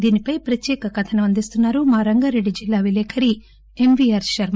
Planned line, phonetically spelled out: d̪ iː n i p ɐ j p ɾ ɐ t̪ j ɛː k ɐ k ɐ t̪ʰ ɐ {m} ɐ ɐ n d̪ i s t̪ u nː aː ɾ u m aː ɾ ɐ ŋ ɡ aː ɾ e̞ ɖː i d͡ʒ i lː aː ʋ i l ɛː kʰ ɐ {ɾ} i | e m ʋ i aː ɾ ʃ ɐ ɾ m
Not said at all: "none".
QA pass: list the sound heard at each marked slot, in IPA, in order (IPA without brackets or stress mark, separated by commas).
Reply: n, ɾ